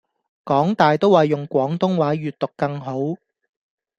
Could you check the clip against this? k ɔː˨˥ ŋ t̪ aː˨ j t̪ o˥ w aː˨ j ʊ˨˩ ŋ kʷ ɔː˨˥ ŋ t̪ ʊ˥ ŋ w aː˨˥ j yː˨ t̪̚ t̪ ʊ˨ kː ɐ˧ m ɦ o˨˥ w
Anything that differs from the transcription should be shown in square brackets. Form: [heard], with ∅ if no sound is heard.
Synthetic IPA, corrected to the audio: k ɔː˨˥ ŋ t̪ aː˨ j t̪ o˥ w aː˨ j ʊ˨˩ ŋ kʷ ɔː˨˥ ŋ t̪ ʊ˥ ŋ w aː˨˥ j yː˨ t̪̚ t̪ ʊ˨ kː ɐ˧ [ŋ] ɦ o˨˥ w